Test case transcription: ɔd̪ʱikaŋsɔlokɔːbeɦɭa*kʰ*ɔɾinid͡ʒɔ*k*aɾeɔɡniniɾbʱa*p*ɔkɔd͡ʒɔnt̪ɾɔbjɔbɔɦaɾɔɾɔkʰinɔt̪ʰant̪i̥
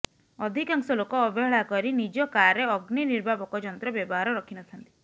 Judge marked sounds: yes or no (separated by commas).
no, yes, no